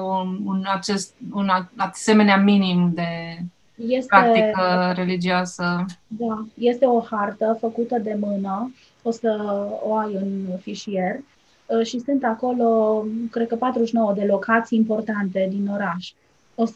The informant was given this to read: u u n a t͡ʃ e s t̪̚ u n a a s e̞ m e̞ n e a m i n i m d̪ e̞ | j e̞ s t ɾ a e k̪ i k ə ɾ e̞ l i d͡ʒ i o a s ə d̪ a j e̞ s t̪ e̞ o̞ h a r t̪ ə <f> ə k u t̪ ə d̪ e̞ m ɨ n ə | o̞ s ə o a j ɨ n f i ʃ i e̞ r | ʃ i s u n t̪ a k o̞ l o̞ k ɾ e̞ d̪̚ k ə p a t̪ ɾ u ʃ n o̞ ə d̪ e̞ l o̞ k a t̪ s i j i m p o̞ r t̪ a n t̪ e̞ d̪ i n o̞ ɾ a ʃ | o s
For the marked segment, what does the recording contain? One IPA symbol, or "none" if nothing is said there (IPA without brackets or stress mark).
f